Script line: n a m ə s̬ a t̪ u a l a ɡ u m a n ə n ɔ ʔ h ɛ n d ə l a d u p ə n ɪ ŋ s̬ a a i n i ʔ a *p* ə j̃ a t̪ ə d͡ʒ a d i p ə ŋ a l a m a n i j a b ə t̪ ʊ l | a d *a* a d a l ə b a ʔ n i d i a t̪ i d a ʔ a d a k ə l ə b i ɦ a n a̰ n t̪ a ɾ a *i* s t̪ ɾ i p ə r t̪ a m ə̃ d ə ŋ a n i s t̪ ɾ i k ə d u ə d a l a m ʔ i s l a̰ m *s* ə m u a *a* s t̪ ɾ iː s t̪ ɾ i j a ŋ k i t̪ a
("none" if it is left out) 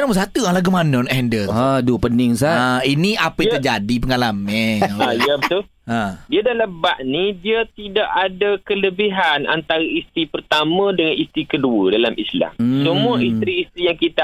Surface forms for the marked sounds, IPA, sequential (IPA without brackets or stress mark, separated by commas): p, i, i, s, i